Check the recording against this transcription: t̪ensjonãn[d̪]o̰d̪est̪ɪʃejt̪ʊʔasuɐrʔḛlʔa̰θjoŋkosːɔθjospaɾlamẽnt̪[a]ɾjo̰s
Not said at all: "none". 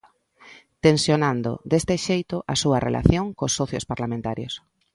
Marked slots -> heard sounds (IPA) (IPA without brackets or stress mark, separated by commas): d̪, a